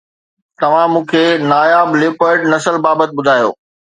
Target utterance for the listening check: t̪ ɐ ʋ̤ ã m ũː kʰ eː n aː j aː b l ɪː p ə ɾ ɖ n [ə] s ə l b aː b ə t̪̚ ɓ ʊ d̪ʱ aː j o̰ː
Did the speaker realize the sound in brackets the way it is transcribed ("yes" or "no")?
no